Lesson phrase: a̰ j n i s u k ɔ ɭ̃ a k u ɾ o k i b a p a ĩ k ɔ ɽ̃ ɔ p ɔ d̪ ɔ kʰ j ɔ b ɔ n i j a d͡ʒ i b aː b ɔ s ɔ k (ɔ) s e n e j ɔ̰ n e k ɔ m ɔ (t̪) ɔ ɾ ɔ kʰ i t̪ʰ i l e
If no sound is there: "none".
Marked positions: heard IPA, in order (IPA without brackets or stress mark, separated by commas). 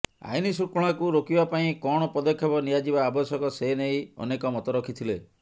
ɔ, t̪